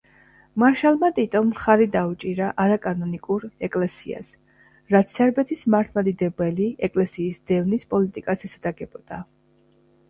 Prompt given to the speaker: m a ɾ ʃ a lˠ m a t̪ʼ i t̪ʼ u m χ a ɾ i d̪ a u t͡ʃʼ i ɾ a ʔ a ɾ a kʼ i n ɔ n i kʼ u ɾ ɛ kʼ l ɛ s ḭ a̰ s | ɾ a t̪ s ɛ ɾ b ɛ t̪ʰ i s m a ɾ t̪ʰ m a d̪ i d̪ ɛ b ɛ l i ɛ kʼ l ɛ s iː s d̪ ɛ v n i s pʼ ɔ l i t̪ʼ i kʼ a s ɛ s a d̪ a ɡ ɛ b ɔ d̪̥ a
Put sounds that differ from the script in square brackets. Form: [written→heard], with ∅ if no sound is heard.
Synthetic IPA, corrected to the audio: m a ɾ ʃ a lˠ m a t̪ʼ i t̪ʼ [u→ɔ] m χ a ɾ i d̪ a u t͡ʃʼ i ɾ a ʔ a ɾ a kʼ [i→a] n ɔ n i kʼ u ɾ ɛ kʼ l ɛ s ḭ a̰ s | ɾ a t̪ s ɛ ɾ b ɛ t̪ʰ i s m a ɾ t̪ʰ m a d̪ i d̪ ɛ b ɛ l i ɛ kʼ l ɛ s iː s d̪ ɛ v n i s pʼ ɔ l i t̪ʼ i kʼ a s ɛ s a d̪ a ɡ ɛ b ɔ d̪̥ a

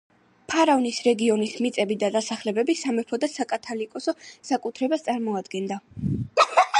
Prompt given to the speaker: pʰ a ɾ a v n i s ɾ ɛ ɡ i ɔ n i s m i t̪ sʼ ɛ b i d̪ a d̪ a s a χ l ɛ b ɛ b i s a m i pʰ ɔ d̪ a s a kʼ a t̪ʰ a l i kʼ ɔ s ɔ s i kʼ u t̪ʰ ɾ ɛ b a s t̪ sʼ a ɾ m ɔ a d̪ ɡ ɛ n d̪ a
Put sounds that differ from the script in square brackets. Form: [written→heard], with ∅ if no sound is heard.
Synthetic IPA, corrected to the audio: pʰ a ɾ a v n i s ɾ ɛ ɡ i ɔ n i s m i t̪ sʼ ɛ b i d̪ a d̪ a s a χ l ɛ b ɛ b i s a m [i→ɛ] pʰ ɔ d̪ a s a kʼ a t̪ʰ a l i kʼ ɔ s ɔ s [i→a] kʼ u t̪ʰ ɾ ɛ b a s t̪ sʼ a ɾ m ɔ a d̪ ɡ ɛ n d̪ a

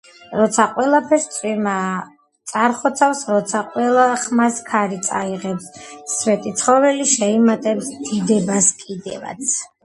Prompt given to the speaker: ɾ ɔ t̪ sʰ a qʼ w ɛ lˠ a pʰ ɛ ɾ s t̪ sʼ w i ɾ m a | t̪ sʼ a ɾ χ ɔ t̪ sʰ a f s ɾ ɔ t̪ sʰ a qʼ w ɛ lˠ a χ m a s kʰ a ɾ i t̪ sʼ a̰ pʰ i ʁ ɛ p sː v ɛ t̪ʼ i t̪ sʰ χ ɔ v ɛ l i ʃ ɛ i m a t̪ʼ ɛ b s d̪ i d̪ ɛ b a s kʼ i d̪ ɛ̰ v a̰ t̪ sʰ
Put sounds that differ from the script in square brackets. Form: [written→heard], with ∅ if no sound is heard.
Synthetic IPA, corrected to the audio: ɾ ɔ t̪ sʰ a qʼ w ɛ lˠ a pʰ ɛ ɾ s t̪ sʼ w i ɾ m a | t̪ sʼ a ɾ χ ɔ t̪ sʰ a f s ɾ ɔ t̪ sʰ a qʼ w ɛ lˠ a χ m a s kʰ a ɾ i t̪ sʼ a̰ [pʰ→∅] i ʁ ɛ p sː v ɛ t̪ʼ i t̪ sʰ χ ɔ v ɛ l i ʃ ɛ i m a t̪ʼ ɛ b s d̪ i d̪ ɛ b a s kʼ i d̪ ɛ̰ v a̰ t̪ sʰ

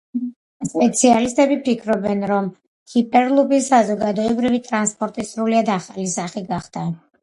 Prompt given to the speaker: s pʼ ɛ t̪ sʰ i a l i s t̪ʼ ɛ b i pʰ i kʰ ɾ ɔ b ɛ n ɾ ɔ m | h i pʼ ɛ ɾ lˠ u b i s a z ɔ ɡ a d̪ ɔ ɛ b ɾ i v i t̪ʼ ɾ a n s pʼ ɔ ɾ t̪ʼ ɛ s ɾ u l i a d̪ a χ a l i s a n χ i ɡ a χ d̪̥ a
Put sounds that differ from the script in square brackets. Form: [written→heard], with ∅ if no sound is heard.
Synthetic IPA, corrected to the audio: s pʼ ɛ t̪ sʰ i a l i s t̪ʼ ɛ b i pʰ i kʰ ɾ ɔ b ɛ n ɾ ɔ m | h i pʼ ɛ ɾ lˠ u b i s a z ɔ ɡ a d̪ ɔ ɛ b ɾ i v i t̪ʼ ɾ a n s pʼ ɔ ɾ t̪ʼ [ɛ→i] s ɾ u l i a d̪ a χ a l i s a [n→∅] χ i ɡ a χ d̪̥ a

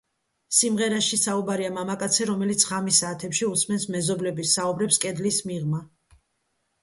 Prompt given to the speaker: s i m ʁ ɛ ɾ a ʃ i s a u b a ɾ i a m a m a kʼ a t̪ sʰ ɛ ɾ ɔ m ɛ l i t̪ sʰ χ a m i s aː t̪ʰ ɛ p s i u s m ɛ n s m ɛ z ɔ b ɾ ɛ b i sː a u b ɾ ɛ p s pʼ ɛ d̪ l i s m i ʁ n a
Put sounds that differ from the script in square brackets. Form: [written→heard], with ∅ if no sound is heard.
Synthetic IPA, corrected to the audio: s i m ʁ ɛ ɾ a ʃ i s a u b a ɾ i a m a m a kʼ a t̪ sʰ ɛ ɾ ɔ m ɛ l i t̪ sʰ [χ→ʁ] a m i s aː t̪ʰ ɛ p [s→ʃ] i u s m ɛ n s m ɛ z ɔ b [ɾ→l] ɛ b i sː a u b ɾ ɛ p s [pʼ→kʼ] ɛ d̪ l i s m i ʁ [n→m] a

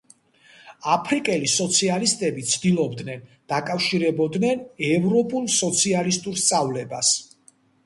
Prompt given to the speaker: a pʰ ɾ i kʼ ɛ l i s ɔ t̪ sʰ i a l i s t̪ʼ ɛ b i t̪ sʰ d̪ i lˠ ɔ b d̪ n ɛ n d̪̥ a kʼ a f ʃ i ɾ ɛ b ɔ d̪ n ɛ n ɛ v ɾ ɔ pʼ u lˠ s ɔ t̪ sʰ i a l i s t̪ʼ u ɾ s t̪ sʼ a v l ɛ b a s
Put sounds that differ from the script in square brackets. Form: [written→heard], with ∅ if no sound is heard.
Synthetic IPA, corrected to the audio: a pʰ ɾ i kʼ ɛ l i s ɔ t̪ sʰ i a l i s t̪ʼ ɛ b i t̪ sʰ d̪ i lˠ ɔ b d̪ n ɛ n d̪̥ a kʼ a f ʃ i ɾ ɛ b ɔ d̪ n ɛ n ɛ v ɾ ɔ pʼ u lˠ s ɔ t̪ sʰ i a l i s t̪ʼ u ɾ s t̪ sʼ a v l ɛ b a s

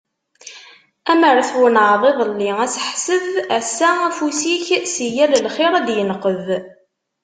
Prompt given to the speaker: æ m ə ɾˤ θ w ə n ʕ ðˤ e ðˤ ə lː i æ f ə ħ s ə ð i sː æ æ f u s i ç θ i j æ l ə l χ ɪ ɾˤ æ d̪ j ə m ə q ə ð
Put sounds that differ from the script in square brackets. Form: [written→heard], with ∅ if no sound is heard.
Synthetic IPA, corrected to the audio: æ m ə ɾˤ θ w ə n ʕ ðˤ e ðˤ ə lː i æ [f→s] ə ħ s ə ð [i→æ] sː æ æ f u s i ç [θ→s] i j æ l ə l χ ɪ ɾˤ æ d̪ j ə [m→n] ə q ə ð

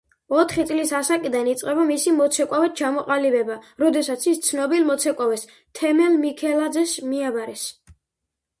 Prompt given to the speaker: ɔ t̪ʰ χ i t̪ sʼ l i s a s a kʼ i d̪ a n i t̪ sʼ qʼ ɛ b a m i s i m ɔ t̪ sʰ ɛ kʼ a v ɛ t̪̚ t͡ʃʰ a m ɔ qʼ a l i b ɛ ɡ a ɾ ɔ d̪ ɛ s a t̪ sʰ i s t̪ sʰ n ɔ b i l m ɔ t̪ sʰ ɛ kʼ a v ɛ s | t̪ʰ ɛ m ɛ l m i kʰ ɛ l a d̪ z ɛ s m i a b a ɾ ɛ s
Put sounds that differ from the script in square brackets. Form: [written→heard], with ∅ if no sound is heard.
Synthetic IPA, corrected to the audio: ɔ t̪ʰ χ i t̪ sʼ l i s a s a kʼ i d̪ a n i t̪ sʼ qʼ ɛ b a m i s i m ɔ t̪ sʰ ɛ kʼ a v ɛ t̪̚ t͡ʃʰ a m ɔ qʼ a l i b ɛ [ɡ→b] a ɾ ɔ d̪ ɛ s a t̪ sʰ i s t̪ sʰ n ɔ b i l m ɔ t̪ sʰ ɛ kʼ a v ɛ s | t̪ʰ ɛ m ɛ l m i kʰ ɛ l a d̪ z ɛ s m i a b a ɾ ɛ s

